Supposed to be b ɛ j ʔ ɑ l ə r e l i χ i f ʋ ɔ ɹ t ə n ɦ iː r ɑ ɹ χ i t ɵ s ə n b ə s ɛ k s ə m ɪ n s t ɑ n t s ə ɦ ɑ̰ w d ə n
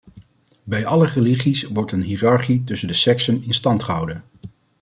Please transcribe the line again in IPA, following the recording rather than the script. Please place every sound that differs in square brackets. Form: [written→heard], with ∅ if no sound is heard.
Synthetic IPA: b ɛ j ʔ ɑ l ə r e l i χ i [f→s] ʋ ɔ ɹ t ə n ɦ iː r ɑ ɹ χ i t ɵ s ə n [b→d] ə s ɛ k s ə [m→n] ɪ n s t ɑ n t [s→χ] ə ɦ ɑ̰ w d ə n